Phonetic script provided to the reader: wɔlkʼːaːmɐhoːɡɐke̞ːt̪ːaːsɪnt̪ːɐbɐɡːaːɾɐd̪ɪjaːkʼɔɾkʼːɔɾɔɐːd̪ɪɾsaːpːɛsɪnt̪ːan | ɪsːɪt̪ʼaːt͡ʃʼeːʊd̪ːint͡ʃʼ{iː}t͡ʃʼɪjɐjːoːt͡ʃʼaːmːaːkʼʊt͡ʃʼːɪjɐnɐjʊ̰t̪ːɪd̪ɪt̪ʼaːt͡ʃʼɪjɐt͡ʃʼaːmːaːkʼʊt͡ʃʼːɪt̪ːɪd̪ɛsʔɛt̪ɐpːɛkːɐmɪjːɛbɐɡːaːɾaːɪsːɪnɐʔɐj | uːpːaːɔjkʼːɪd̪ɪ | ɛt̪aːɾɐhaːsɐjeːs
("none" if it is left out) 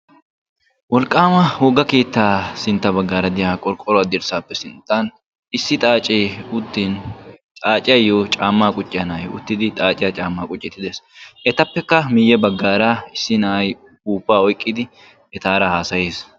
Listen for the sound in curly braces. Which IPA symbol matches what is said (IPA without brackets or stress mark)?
aː